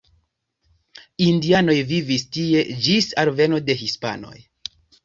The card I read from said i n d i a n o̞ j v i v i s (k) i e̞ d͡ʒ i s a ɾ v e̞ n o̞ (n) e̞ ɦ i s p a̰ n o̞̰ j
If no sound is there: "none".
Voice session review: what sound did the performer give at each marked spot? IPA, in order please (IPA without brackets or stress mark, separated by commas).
t, d